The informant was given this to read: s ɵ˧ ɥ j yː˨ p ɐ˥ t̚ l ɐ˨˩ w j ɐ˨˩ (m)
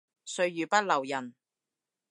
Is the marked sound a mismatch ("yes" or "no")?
yes